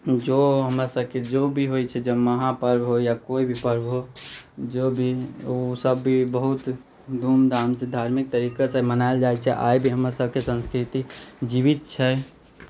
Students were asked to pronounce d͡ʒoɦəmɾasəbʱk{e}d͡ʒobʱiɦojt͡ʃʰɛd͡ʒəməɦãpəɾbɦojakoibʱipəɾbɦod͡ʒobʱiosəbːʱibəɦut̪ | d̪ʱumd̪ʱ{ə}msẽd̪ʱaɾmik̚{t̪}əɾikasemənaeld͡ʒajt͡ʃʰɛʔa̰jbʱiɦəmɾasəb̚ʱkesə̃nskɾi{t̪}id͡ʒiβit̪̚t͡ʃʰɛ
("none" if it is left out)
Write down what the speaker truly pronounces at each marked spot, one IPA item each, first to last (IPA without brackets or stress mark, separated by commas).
e, a, t̪, t̪